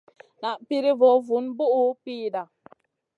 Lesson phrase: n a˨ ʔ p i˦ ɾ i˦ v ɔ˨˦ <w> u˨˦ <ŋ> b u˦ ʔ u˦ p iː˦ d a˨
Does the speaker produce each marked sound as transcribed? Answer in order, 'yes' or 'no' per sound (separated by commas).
no, no